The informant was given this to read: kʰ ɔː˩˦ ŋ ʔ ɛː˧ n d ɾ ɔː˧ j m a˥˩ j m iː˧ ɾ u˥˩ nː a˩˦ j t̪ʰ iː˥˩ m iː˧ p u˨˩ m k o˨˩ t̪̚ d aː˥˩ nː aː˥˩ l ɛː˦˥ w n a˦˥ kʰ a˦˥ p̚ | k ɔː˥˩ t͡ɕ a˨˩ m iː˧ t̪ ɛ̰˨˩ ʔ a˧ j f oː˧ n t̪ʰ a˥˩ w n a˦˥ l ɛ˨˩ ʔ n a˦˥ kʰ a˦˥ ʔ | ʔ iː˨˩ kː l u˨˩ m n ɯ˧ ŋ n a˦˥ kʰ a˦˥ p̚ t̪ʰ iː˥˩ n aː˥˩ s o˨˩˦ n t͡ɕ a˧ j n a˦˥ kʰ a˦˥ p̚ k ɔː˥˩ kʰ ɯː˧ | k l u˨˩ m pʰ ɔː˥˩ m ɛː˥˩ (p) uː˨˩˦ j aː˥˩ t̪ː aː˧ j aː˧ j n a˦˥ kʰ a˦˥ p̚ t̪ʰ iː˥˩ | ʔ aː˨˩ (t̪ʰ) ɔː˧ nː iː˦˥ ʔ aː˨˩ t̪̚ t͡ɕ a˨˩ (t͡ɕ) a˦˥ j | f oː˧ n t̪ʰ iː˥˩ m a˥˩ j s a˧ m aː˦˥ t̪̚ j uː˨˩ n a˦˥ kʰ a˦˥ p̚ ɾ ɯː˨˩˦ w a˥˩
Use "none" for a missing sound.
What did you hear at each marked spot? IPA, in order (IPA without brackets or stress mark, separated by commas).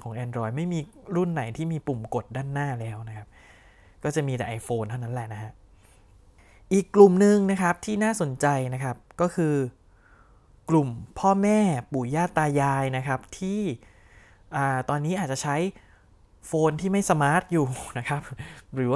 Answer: p, t̪, t͡ɕʰ